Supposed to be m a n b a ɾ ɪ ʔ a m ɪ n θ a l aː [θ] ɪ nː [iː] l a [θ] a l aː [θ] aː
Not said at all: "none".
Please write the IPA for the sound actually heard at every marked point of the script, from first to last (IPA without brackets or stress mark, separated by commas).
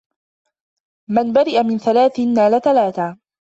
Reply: θ, aː, θ, θ